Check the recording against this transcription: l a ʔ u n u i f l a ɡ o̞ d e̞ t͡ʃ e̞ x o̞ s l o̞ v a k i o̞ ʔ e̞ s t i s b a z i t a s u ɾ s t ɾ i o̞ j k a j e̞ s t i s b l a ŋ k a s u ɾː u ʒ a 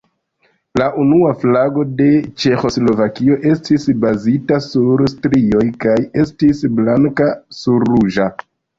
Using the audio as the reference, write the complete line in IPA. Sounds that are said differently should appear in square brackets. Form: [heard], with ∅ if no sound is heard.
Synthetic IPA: l a ʔ u n u [a] f l a ɡ o̞ d e̞ t͡ʃ e̞ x o̞ s l o̞ v a k i o̞ ʔ e̞ s t i s b a z i t a s u ɾ s t ɾ i o̞ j k a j e̞ s t i s b l a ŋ k a s u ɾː u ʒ a